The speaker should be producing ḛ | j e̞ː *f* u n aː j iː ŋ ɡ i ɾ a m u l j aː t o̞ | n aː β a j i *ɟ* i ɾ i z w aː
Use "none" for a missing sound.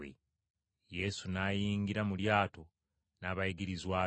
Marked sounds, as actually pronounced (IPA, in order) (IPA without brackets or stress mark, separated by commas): s, ɡ